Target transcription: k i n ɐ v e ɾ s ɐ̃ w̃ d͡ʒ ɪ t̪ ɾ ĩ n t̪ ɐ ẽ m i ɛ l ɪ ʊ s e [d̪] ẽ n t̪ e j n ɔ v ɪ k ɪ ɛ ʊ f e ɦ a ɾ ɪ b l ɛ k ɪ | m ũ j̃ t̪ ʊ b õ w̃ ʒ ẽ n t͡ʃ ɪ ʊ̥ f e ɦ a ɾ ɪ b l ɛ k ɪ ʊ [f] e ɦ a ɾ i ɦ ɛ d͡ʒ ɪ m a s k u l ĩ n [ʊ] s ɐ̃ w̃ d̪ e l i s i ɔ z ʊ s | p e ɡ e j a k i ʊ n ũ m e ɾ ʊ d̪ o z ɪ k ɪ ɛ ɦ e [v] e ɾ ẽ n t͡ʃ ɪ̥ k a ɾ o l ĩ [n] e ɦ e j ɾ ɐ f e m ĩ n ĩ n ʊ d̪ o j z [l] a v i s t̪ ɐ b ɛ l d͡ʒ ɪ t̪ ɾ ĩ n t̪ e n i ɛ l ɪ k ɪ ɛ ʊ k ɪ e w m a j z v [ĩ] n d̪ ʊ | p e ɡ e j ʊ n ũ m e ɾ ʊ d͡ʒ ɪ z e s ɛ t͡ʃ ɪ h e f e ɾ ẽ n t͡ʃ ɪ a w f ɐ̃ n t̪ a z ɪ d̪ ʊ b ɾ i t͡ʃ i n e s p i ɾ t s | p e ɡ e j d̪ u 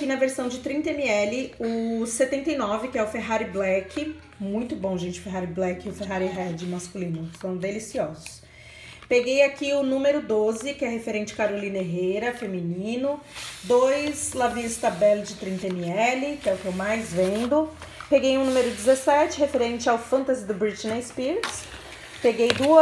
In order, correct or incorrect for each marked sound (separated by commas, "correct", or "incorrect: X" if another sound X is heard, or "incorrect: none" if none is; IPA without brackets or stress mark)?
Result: incorrect: t̪, correct, correct, incorrect: f, correct, correct, incorrect: ẽ